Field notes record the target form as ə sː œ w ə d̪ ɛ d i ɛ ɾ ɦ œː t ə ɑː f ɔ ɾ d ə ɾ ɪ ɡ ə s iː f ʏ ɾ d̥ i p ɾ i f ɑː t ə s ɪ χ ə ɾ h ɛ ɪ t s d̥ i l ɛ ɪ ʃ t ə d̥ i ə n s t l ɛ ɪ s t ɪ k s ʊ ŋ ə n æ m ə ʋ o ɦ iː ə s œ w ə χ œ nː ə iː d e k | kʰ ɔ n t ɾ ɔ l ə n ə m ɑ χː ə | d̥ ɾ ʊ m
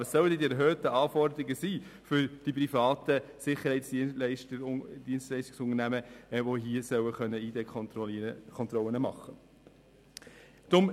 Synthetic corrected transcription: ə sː œ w ə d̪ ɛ d i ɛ ɾ ɦ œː t ə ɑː f ɔ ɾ d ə ɾ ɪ ɡ ə s iː f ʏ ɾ d̥ i p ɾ i f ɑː t ə s ɪ χ ə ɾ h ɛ ɪ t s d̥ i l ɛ ɪ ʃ t ə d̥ i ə n s t l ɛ ɪ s t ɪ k s ʊ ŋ ə n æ m ə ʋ o ɦ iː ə s œ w ə χ œ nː ə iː d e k | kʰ ɔ n t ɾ ɔ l ə n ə m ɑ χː ə | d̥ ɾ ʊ m